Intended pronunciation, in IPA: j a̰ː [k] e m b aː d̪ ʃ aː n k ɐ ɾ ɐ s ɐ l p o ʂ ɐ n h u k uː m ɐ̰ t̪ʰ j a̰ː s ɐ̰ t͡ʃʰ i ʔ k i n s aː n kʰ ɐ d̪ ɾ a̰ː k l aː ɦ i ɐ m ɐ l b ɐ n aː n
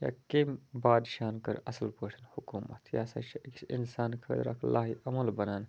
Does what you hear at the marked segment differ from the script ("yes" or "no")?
no